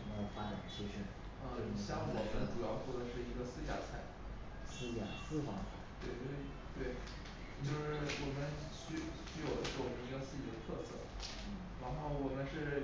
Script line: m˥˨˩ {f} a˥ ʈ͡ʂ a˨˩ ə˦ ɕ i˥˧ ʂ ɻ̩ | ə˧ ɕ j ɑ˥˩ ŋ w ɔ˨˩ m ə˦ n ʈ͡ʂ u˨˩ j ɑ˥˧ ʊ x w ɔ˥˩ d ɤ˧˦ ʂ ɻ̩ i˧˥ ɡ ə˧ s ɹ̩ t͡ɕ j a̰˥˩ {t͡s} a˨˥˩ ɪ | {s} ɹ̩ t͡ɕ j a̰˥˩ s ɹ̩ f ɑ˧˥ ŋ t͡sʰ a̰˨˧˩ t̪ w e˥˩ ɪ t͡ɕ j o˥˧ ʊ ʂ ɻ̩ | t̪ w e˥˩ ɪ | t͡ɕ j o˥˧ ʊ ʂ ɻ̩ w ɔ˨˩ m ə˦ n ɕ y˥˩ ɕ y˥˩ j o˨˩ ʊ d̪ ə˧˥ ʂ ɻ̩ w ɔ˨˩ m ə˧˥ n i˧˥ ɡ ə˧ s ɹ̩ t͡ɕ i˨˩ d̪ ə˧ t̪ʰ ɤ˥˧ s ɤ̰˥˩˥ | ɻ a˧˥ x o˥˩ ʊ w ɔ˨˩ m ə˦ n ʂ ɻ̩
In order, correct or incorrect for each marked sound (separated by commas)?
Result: correct, incorrect, correct